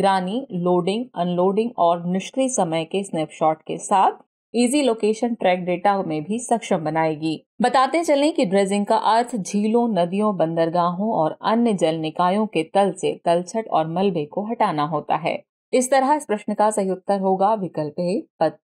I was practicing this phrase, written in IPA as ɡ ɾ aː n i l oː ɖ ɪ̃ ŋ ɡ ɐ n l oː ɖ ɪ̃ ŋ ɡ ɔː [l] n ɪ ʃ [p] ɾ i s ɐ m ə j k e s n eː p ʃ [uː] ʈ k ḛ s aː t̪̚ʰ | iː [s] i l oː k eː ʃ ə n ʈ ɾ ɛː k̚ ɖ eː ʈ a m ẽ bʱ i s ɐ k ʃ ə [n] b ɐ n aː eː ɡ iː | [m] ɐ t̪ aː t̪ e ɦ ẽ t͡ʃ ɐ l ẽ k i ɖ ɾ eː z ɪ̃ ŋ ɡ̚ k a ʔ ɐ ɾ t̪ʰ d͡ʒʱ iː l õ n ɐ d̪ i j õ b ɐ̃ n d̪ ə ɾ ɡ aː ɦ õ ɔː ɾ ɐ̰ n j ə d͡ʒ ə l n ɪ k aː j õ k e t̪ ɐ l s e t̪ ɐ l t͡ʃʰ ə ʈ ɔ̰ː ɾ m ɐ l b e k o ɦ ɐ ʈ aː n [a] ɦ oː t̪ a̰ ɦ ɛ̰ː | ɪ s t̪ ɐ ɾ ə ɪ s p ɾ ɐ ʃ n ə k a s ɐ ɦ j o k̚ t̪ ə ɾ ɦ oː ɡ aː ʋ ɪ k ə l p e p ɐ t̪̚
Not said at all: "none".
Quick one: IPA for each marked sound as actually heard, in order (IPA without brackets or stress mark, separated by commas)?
ɾ, k, ɔː, z, m, b, a